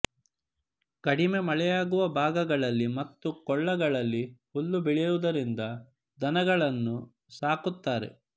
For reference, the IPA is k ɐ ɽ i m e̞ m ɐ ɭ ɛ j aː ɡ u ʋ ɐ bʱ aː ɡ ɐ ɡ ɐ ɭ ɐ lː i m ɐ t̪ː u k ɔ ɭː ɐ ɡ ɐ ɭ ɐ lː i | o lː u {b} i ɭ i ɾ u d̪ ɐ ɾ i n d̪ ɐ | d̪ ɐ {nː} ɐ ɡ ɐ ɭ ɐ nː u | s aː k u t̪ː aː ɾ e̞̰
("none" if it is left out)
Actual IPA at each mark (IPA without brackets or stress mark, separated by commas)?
b, n